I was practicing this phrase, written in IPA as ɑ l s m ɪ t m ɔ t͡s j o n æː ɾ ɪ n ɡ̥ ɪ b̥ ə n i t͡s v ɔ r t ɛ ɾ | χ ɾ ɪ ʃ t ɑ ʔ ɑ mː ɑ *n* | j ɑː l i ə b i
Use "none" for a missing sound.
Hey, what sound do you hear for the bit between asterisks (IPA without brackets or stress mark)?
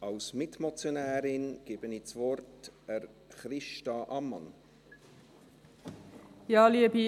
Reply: n